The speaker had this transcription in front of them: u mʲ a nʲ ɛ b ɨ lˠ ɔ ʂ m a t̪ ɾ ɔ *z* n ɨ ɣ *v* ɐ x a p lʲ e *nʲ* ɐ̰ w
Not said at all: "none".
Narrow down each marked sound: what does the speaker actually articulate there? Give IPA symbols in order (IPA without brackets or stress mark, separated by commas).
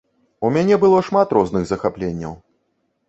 z, z, nʲː